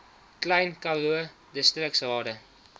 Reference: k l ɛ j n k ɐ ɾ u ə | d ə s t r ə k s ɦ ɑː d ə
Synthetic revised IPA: k l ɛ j n k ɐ l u ə | d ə s t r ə k s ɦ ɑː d ə